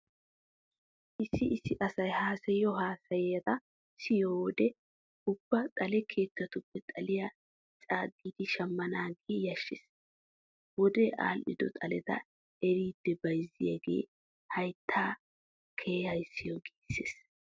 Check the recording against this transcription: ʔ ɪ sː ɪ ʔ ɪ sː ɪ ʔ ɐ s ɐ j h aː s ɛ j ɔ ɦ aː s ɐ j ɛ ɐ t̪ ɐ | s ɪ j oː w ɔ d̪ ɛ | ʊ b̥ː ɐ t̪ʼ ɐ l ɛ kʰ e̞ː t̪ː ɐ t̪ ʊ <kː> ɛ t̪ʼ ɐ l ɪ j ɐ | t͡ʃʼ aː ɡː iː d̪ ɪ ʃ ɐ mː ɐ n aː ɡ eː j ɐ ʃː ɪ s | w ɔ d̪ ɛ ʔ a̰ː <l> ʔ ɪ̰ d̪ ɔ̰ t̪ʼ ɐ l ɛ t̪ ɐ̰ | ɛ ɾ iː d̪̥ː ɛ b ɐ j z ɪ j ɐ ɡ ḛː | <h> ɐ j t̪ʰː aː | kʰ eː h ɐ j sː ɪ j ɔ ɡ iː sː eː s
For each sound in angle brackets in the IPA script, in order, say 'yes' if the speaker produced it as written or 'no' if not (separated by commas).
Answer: no, yes, yes